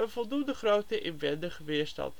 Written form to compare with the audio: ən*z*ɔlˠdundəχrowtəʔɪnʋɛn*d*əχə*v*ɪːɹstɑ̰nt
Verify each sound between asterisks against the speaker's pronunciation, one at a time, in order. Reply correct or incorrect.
incorrect, correct, incorrect

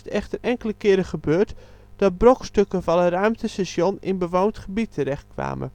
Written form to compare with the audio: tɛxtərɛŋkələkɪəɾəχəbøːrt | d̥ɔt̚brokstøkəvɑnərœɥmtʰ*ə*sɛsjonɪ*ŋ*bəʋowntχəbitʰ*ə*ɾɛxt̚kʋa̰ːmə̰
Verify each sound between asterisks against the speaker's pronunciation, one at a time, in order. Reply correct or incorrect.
correct, incorrect, correct

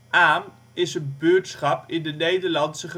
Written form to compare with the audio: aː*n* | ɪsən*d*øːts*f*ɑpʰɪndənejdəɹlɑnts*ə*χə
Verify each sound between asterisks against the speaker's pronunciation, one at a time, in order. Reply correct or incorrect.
incorrect, incorrect, incorrect, correct

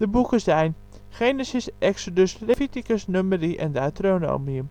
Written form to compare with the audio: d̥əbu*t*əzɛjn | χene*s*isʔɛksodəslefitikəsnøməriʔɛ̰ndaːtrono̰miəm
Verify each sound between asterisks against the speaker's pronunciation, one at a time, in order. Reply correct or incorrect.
incorrect, correct

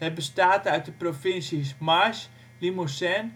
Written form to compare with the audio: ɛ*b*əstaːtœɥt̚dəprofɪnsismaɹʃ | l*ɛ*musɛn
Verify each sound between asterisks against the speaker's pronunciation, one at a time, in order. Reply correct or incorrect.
correct, incorrect

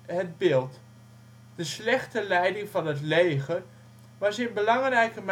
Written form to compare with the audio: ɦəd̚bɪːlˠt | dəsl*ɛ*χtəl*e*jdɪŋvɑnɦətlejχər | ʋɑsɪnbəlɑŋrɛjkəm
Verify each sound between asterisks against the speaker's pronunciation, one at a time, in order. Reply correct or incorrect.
correct, incorrect

